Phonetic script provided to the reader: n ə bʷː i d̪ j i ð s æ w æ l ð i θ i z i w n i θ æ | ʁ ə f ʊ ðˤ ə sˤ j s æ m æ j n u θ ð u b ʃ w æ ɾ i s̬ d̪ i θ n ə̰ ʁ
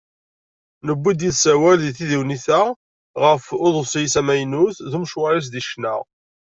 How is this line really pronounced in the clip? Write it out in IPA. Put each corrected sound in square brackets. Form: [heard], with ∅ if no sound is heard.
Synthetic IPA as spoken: n ə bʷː i d̪ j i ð s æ w æ l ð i θ i [ð] i w n i θ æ | ʁ ə f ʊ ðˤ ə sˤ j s æ m æ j n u θ ð u [m] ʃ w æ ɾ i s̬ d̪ i [ʃ] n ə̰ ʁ